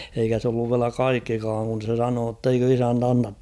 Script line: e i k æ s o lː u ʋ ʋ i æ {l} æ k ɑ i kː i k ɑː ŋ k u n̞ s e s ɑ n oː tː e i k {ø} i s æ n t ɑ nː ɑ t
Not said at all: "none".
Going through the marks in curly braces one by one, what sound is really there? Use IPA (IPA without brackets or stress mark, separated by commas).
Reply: l, ø